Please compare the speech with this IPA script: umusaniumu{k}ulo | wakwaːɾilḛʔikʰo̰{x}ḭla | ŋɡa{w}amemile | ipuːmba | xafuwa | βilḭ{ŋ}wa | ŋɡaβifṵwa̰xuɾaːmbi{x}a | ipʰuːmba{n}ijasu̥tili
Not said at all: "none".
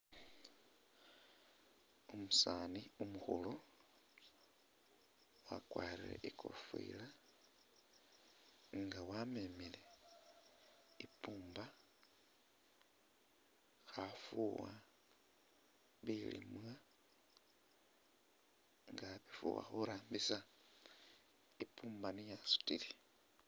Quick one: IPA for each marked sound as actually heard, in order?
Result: x, f, w, m, s, n

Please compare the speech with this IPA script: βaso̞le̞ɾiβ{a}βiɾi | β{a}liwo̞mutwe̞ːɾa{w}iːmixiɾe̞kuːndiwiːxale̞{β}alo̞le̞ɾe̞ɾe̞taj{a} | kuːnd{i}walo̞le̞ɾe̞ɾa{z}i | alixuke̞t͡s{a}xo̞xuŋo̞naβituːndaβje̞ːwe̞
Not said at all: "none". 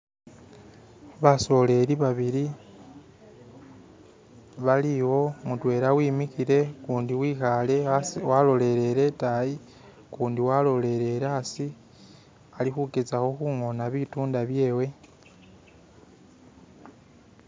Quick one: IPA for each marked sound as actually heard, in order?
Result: a, a, w, w, i, i, s, a

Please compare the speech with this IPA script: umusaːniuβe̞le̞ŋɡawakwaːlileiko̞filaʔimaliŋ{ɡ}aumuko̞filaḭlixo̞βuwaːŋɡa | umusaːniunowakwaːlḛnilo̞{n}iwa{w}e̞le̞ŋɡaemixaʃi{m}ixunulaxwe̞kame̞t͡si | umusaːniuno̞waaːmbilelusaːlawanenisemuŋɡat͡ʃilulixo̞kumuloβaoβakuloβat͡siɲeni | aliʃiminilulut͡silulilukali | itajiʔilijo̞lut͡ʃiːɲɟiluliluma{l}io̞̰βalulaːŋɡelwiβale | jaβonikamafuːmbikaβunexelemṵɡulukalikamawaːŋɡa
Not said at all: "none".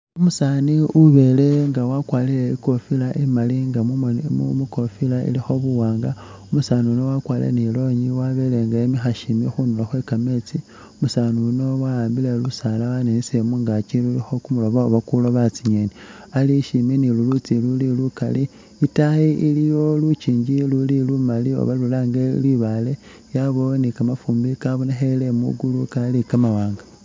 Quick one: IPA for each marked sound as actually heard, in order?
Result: ɡ, ɲ, β, m, l

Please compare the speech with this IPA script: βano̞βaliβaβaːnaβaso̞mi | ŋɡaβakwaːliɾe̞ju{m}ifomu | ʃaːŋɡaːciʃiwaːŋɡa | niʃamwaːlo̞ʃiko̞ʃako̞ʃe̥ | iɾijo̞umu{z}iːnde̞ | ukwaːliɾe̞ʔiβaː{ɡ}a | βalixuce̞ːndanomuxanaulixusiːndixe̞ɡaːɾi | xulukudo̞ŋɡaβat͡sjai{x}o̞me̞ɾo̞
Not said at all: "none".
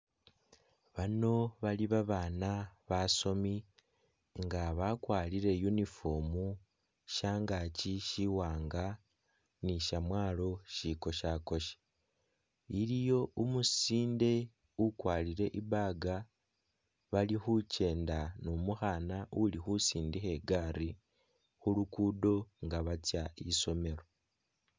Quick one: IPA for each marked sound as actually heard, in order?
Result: n, s, ɡ, s

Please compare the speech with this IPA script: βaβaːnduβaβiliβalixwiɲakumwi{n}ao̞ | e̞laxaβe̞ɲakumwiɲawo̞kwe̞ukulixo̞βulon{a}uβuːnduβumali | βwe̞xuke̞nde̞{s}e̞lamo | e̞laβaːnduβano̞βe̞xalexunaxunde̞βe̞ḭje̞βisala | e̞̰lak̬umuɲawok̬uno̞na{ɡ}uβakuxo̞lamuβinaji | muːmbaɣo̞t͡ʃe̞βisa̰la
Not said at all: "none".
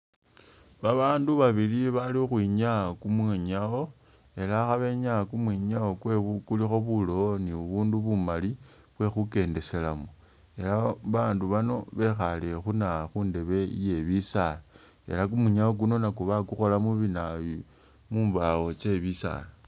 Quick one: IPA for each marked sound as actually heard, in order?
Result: ɲ, i, s, k

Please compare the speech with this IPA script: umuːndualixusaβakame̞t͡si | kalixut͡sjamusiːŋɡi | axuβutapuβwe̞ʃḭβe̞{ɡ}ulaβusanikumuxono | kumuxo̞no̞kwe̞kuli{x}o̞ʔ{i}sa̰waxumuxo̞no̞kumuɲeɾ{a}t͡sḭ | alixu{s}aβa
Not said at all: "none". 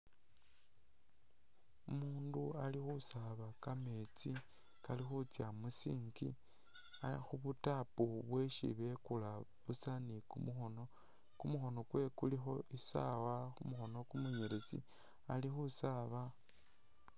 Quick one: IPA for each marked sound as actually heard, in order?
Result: k, x, i, e, s

